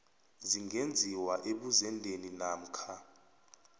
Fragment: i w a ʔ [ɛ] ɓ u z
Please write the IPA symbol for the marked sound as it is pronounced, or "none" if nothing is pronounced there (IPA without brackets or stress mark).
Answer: e